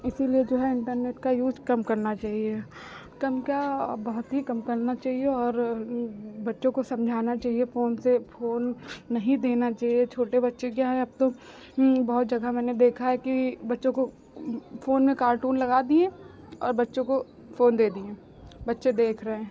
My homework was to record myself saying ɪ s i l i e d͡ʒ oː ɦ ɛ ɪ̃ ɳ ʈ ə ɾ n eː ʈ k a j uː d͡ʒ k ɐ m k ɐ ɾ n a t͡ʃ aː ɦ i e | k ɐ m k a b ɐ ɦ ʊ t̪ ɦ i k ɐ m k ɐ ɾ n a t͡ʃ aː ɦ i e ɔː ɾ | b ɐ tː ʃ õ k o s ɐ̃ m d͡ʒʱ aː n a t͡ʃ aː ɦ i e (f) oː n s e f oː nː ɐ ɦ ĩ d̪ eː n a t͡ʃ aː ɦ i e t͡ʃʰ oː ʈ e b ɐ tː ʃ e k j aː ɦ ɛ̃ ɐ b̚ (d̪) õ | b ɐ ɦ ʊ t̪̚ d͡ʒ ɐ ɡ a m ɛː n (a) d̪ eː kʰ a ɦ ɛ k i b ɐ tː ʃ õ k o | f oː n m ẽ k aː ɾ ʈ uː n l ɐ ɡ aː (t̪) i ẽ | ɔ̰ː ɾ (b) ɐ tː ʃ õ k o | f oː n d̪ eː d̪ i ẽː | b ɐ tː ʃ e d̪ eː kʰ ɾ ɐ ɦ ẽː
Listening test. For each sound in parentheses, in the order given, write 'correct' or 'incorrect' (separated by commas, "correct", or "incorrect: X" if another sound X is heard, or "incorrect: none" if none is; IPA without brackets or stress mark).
correct, incorrect: t̪, incorrect: e, incorrect: d̪, correct